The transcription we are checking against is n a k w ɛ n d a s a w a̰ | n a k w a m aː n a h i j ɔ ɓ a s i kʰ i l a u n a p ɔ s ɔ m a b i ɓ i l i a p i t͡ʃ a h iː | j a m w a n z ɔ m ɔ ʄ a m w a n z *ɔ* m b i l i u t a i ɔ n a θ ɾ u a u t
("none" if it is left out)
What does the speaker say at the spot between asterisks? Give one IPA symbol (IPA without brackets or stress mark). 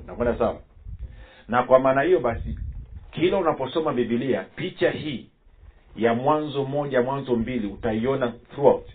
ɔ